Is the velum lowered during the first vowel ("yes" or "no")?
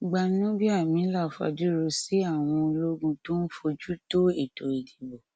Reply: no